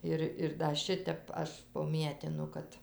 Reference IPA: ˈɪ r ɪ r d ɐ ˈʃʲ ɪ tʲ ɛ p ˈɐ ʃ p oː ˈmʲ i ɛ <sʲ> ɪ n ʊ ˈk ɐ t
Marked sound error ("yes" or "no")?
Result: yes